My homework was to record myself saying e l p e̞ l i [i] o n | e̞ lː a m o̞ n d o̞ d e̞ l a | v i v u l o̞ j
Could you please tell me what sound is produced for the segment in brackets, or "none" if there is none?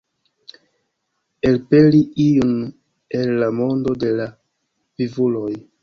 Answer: i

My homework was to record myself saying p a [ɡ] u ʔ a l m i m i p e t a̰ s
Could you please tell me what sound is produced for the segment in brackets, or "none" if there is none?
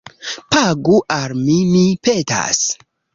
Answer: ɡ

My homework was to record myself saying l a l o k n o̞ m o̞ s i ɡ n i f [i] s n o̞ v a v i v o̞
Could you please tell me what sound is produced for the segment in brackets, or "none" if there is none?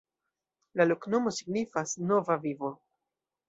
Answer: a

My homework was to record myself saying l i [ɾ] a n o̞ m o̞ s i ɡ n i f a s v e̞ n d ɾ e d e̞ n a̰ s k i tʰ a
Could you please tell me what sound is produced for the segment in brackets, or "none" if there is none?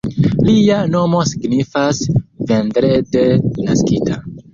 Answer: none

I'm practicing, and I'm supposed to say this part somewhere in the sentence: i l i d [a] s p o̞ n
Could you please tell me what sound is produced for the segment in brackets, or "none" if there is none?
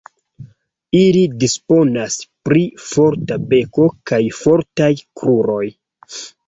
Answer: i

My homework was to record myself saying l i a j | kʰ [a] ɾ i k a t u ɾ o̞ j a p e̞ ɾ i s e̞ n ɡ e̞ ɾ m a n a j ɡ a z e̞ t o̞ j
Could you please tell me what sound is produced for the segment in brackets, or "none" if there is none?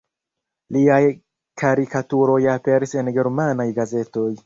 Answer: a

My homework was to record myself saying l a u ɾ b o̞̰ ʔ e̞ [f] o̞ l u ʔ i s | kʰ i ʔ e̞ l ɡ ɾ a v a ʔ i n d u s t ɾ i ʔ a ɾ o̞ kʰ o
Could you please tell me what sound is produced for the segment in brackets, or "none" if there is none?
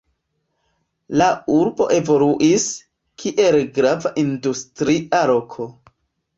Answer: v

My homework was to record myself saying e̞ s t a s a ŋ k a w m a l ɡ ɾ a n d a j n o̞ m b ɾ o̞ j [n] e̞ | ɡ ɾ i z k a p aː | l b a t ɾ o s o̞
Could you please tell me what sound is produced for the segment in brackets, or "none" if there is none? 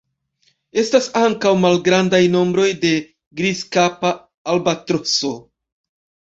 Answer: d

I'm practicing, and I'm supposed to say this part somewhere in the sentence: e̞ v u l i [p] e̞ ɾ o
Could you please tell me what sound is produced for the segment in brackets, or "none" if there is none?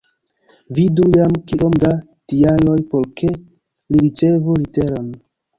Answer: t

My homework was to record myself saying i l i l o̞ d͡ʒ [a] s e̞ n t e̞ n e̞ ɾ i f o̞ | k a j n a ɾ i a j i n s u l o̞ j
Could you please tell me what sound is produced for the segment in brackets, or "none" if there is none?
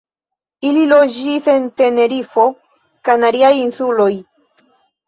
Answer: i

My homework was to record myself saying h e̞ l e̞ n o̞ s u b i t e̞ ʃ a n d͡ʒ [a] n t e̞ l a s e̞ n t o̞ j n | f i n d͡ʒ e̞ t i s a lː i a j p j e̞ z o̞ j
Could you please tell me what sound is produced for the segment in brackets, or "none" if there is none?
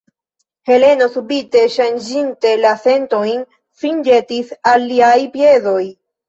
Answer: i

